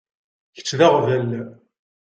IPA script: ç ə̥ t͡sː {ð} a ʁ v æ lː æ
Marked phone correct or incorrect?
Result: correct